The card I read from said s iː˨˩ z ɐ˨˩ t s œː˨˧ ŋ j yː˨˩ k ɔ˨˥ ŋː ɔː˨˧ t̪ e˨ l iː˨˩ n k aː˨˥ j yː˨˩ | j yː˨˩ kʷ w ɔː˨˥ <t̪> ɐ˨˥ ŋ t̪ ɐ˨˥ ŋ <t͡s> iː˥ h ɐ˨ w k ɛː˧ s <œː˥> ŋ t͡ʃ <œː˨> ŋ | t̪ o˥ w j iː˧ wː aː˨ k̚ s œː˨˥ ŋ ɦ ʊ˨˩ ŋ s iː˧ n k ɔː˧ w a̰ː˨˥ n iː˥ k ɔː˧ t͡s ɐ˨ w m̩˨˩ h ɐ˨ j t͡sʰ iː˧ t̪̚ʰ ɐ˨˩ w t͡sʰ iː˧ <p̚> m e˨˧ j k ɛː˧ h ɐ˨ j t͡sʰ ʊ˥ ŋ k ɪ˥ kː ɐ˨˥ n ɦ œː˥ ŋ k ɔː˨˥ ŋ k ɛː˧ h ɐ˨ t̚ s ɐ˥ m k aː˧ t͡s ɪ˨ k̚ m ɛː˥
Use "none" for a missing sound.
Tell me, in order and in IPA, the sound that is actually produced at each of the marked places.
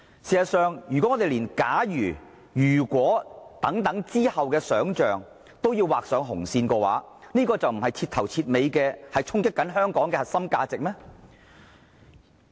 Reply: t̪, t͡s, œː˨˥, œː˨, t̚

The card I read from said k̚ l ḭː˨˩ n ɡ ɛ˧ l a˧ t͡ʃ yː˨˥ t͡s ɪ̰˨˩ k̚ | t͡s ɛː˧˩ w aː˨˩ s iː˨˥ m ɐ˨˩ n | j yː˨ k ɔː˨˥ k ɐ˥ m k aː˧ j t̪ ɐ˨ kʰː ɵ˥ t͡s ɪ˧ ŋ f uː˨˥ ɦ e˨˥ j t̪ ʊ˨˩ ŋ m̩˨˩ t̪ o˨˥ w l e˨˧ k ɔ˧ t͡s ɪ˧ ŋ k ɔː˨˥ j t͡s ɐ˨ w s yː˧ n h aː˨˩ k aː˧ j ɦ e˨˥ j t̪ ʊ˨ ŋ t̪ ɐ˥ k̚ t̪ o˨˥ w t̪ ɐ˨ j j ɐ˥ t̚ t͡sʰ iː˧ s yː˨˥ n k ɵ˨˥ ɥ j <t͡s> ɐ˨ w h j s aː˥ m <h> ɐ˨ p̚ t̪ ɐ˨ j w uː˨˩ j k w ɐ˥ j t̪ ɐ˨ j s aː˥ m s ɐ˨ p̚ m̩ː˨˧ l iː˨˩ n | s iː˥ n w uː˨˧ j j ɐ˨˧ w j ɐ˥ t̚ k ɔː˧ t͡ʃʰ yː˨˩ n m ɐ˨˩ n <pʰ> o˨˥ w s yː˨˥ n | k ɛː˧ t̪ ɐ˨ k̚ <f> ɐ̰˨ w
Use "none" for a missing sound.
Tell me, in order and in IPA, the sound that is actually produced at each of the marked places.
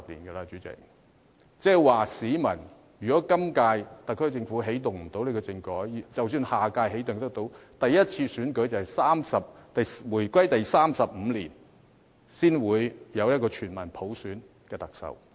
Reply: t͡s, s, pʰ, s

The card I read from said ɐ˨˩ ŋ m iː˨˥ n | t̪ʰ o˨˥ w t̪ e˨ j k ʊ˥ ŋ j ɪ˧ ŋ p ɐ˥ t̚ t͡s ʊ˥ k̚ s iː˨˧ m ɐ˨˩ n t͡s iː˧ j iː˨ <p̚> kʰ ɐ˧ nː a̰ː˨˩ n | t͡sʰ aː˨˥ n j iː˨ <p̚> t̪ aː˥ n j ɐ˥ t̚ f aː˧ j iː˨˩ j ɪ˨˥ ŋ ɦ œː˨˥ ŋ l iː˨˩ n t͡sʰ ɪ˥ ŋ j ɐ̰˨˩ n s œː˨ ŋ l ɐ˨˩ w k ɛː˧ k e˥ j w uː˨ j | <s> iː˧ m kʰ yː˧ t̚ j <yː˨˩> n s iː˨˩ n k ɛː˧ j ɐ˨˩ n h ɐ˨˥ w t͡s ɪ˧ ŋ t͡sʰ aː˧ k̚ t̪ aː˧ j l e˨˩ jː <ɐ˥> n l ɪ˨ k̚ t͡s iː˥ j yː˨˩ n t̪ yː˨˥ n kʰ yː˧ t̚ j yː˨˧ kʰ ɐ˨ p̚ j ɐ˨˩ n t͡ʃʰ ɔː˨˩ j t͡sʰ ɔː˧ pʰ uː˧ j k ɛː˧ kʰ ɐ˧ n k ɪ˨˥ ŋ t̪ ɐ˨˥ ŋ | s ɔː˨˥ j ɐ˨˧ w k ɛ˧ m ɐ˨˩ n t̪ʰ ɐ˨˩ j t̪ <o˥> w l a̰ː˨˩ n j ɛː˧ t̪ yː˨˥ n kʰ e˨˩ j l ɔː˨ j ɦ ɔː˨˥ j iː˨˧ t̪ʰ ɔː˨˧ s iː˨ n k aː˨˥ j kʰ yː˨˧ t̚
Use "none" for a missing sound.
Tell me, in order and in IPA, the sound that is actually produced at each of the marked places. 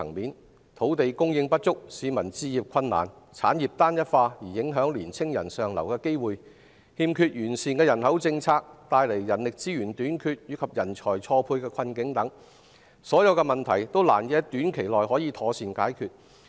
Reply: p̚, p̚, h, yː˨˩, ɐ˨˩, o˥

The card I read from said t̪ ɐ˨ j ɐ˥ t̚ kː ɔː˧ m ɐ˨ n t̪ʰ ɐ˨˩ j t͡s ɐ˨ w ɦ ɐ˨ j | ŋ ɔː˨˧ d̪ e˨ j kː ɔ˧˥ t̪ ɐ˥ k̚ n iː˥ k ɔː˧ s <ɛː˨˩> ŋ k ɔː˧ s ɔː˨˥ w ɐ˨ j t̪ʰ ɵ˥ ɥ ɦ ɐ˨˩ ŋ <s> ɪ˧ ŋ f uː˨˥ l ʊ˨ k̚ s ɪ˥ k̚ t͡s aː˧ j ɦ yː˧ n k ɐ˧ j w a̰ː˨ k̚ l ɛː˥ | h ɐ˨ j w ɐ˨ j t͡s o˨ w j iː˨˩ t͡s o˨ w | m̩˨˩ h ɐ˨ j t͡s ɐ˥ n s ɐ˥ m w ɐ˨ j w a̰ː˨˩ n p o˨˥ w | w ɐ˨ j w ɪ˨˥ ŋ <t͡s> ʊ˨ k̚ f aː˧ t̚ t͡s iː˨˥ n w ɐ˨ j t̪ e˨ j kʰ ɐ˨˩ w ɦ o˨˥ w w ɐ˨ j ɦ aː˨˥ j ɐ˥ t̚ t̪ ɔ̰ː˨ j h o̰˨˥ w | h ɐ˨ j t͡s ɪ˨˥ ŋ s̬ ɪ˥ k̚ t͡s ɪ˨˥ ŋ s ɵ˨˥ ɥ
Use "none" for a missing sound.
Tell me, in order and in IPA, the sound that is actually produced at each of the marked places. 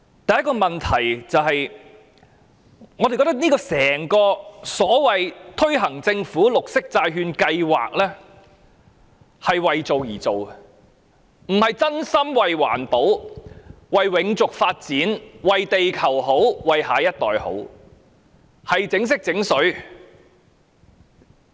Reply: ɛː˨˩, t͡s, t͡s

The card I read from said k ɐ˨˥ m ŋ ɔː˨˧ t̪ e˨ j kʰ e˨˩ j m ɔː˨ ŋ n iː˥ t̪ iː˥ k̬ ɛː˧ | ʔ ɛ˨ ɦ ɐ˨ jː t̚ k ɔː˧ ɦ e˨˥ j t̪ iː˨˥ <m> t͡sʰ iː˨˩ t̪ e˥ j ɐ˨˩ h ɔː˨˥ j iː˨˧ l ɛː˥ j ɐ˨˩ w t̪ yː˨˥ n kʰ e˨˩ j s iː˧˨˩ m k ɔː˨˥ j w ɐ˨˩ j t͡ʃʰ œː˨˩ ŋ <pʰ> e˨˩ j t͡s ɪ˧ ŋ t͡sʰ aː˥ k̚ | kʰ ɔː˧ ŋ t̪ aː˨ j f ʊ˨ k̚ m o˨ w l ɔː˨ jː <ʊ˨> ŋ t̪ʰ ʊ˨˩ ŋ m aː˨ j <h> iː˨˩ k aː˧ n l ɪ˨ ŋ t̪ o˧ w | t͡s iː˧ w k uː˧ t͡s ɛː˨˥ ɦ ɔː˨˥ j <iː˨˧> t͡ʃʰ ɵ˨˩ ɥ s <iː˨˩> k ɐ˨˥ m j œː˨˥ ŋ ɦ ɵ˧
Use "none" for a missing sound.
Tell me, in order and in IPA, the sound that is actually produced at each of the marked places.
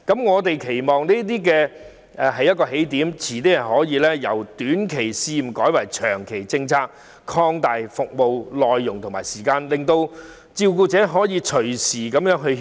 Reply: m, kʰ, ʊ˨, s, iː˨˧, iː˨˩

